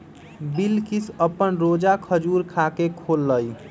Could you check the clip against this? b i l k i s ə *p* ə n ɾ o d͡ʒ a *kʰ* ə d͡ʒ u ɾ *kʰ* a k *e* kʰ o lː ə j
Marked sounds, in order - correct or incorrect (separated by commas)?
correct, correct, correct, correct